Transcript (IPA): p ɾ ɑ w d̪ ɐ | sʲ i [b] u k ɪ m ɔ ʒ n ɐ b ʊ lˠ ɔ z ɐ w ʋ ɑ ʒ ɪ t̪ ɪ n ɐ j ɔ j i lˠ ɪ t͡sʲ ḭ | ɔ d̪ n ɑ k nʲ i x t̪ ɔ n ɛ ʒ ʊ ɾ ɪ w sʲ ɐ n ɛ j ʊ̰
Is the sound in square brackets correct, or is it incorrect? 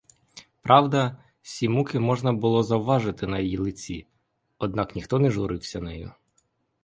incorrect